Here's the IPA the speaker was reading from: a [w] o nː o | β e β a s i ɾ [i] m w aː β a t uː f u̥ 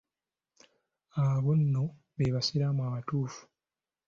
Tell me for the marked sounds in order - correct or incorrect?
incorrect, incorrect

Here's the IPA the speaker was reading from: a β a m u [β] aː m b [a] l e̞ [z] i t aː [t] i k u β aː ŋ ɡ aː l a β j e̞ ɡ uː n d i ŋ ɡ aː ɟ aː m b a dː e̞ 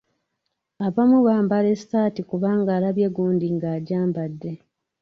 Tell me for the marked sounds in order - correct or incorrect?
correct, correct, incorrect, correct

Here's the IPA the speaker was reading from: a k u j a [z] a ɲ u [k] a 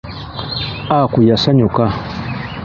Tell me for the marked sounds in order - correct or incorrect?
incorrect, correct

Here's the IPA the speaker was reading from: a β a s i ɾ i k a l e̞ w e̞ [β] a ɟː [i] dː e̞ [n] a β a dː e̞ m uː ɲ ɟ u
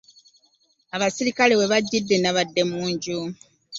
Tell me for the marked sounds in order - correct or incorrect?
correct, correct, correct

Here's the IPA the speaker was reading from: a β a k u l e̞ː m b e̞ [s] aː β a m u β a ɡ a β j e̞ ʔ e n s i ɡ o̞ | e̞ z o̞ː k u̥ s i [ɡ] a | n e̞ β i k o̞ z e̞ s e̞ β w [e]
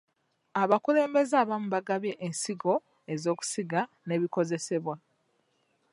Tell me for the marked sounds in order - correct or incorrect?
incorrect, correct, incorrect

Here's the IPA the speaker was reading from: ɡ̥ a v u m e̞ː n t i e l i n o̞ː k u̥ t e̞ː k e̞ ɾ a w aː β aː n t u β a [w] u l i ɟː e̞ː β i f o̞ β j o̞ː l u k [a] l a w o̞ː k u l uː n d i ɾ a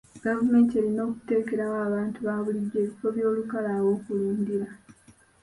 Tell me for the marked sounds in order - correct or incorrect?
incorrect, correct

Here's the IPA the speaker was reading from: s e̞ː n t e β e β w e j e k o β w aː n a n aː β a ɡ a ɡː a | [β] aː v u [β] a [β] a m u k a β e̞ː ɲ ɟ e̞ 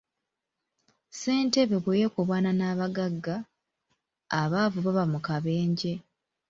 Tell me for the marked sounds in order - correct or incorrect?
correct, correct, correct

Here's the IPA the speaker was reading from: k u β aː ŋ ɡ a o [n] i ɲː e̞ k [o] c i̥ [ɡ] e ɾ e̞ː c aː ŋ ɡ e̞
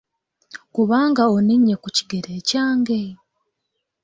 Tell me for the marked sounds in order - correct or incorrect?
correct, incorrect, correct

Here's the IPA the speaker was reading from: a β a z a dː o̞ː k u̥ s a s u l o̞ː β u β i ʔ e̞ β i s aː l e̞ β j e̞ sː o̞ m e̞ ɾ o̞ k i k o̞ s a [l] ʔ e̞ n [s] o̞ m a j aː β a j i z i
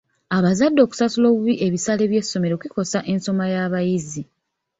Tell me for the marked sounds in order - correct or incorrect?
incorrect, correct

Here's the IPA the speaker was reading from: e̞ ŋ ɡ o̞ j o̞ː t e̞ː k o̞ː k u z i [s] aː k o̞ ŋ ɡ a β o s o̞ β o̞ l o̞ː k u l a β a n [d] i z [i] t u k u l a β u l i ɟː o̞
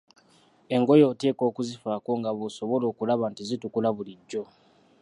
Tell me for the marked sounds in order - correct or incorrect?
incorrect, incorrect, correct

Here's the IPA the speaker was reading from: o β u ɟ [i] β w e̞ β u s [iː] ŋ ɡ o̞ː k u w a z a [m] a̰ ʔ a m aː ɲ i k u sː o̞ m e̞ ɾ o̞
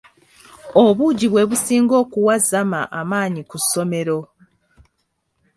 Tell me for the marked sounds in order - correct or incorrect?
correct, correct, correct

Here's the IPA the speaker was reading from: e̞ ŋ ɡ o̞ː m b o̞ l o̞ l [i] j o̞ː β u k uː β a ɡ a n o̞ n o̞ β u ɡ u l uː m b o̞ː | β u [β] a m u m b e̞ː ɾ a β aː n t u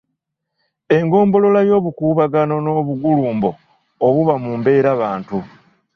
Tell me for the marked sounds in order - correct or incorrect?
incorrect, correct

